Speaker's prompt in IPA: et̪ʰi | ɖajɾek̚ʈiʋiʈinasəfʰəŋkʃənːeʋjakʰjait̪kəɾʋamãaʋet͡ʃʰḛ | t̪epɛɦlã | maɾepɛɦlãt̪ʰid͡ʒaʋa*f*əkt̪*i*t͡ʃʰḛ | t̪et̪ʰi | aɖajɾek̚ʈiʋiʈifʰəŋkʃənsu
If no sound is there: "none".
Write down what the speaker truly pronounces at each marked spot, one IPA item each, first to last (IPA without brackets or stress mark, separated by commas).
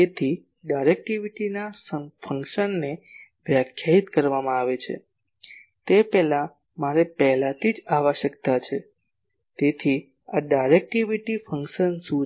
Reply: ʃ, a